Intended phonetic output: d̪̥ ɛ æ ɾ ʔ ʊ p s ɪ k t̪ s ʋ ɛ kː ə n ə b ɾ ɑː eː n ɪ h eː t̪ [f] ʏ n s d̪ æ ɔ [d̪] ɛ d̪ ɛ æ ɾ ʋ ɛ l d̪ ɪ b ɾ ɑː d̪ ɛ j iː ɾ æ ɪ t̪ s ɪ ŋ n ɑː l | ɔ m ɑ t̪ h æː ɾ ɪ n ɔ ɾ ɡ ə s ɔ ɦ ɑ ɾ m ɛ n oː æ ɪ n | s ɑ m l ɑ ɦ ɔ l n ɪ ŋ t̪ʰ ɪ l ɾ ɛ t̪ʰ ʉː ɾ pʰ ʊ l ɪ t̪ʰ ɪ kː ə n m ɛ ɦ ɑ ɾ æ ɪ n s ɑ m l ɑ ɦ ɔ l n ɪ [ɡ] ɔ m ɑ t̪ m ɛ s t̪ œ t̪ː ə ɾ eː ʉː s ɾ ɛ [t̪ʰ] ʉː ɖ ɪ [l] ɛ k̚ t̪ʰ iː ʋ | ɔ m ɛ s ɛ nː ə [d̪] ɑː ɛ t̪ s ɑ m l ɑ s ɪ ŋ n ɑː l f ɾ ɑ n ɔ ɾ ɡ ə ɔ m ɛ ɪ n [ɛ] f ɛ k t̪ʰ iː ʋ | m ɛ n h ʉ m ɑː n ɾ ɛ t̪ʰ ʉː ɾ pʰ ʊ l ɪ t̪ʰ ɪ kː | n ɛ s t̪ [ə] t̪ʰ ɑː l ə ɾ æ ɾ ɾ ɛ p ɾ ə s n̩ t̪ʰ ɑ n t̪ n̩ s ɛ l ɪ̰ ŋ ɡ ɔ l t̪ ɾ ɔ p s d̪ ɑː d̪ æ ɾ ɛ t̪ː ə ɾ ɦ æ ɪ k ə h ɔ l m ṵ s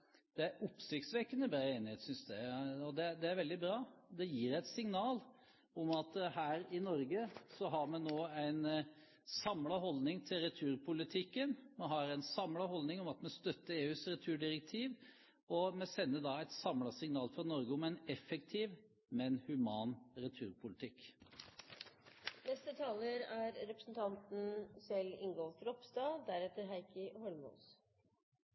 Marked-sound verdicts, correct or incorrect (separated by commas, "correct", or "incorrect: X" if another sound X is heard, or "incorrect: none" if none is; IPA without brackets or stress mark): incorrect: s, correct, incorrect: ŋ, correct, incorrect: ɾ, correct, correct, correct